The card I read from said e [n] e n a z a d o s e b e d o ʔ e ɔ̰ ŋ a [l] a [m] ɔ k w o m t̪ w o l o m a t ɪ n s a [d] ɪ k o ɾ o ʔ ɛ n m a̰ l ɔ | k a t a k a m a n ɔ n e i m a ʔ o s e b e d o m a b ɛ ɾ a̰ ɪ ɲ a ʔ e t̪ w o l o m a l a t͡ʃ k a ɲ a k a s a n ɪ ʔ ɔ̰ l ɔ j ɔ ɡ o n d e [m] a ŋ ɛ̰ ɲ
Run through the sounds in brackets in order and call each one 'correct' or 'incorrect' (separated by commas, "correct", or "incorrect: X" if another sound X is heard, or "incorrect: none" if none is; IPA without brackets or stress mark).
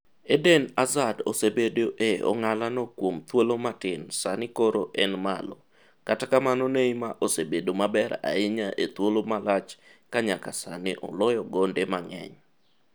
incorrect: d, correct, incorrect: n, incorrect: n, correct